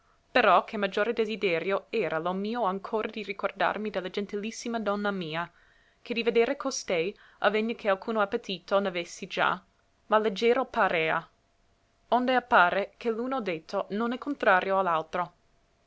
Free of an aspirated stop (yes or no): no